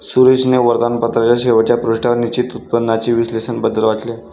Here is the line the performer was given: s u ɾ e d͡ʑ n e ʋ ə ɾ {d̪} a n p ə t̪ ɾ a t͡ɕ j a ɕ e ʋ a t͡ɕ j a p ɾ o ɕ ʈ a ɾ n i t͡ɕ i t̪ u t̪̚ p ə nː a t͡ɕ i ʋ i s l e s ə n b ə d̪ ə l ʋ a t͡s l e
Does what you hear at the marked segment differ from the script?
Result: no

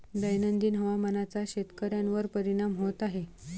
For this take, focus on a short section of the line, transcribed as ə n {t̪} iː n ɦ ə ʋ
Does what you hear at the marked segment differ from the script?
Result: yes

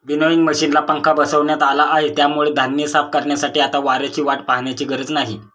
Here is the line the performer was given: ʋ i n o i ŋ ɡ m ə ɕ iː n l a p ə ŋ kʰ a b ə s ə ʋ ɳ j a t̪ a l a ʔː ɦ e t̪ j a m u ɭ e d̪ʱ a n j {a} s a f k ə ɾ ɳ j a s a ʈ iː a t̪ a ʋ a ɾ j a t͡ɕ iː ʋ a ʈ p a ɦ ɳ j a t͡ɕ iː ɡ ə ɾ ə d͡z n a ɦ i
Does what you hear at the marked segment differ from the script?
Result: yes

